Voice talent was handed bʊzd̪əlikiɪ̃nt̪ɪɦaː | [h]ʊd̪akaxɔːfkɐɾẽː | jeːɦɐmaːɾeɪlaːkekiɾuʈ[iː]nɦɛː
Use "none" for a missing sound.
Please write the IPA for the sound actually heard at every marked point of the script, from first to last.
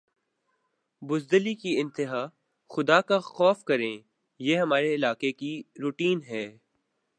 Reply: x, iː

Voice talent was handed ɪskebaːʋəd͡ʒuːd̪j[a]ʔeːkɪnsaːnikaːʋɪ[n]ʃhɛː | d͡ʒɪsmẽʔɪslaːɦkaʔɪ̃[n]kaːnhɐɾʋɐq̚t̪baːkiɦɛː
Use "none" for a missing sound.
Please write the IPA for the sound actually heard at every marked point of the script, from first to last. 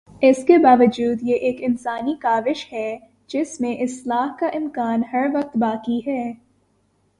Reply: e, none, m

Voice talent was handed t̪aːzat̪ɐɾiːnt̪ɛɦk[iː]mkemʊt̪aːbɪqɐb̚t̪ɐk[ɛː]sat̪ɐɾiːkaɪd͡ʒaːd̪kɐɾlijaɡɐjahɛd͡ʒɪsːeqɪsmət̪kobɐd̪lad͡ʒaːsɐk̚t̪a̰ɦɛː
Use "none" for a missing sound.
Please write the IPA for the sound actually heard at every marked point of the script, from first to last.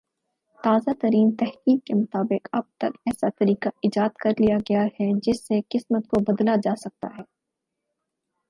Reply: iː, ɛː

